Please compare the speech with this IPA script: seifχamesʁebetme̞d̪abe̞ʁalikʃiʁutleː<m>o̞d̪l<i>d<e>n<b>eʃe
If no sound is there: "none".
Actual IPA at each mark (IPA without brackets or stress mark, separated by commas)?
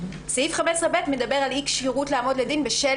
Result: m, e, i, b